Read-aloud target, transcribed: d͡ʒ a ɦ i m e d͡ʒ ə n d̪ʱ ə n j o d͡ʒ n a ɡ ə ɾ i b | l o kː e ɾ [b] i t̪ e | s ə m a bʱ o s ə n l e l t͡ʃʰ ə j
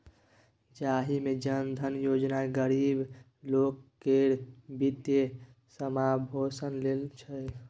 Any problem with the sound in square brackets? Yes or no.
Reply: no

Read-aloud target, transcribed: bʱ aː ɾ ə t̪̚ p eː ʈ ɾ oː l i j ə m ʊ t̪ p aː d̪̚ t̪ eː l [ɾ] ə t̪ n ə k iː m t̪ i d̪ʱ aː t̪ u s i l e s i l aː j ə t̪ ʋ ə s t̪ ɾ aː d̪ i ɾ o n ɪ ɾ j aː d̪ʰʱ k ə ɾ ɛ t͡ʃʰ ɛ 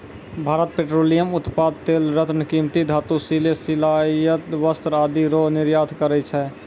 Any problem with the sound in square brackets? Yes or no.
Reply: no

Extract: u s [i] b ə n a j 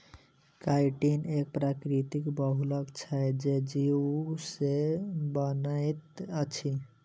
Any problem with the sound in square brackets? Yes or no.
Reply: yes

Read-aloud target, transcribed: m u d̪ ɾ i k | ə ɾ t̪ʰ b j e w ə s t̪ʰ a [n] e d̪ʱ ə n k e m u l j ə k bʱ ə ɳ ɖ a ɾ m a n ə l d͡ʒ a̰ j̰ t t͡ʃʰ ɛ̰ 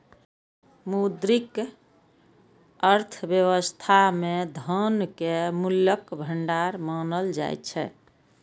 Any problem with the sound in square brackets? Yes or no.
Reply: yes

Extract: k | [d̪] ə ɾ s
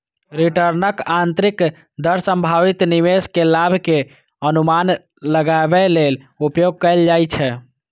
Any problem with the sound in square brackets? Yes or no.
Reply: no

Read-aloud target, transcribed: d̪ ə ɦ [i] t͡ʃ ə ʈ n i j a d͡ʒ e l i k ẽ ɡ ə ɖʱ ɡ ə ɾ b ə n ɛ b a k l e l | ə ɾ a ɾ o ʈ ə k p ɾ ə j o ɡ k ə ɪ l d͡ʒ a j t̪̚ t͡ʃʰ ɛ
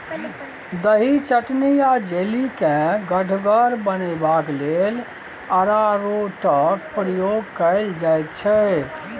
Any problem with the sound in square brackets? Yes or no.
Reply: no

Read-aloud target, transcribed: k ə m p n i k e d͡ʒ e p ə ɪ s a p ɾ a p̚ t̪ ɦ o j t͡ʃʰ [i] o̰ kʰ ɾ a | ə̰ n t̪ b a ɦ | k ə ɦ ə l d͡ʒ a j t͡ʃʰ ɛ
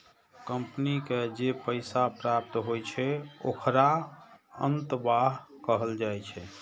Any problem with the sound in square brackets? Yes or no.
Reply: yes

